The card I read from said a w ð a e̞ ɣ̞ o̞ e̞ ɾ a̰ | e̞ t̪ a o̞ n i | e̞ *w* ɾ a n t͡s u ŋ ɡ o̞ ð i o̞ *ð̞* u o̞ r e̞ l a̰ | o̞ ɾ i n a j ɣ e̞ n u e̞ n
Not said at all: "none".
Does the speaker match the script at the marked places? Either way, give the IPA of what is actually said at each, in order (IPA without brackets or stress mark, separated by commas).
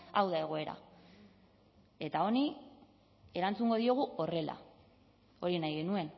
none, ɣ̞